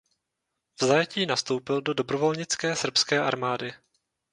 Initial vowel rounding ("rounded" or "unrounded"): unrounded